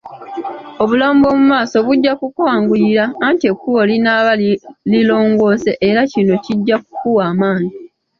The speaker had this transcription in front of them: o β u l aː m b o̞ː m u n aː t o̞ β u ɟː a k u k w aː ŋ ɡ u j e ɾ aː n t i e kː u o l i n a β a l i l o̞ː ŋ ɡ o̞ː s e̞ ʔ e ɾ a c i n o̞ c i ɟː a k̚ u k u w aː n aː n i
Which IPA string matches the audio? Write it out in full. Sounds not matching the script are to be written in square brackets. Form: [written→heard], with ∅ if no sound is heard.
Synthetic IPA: o β u l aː m b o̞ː m u [n→m] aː [t→s] o̞ β u ɟː a k u k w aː ŋ ɡ u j [e→i] ɾ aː n t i e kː u o l i n a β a l i l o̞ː ŋ ɡ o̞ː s e̞ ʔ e ɾ a c i n o̞ c i ɟː a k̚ u k u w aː [n→m] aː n i